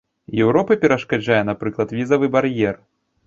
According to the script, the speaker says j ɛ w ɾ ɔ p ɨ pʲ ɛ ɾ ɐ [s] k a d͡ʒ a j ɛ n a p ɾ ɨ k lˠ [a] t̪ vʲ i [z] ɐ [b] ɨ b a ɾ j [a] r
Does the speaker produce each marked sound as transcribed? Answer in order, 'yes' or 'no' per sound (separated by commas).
no, no, yes, no, no